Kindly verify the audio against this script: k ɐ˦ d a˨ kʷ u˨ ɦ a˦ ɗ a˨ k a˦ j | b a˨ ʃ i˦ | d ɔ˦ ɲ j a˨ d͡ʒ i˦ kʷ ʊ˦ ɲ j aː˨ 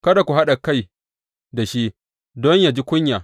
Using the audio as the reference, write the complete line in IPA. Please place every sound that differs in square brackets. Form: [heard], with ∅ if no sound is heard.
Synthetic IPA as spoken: k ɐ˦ d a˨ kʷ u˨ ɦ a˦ ɗ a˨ k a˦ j | [d] a˨ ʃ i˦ | d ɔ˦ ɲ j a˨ d͡ʒ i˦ kʷ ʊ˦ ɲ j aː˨